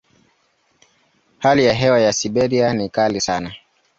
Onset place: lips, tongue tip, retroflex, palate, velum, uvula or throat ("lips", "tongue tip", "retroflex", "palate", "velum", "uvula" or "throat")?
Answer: throat